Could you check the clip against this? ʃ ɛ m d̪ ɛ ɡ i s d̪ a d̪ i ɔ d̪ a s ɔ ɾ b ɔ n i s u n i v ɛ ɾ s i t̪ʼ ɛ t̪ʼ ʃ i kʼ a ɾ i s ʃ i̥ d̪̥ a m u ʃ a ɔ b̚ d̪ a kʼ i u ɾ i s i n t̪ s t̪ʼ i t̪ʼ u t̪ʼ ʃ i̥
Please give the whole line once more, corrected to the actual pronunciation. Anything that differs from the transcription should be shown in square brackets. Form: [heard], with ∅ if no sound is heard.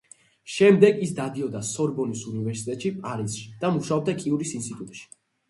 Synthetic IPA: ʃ ɛ m d̪ ɛ ɡ i s d̪ a d̪ i ɔ d̪ a s ɔ ɾ b ɔ n i s u n i v ɛ ɾ s i t̪ʼ ɛ t̪ʼ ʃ i [pʼ] a ɾ i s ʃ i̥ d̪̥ a m u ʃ a ɔ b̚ d̪ a kʼ i u ɾ i s i n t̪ s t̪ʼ i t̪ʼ u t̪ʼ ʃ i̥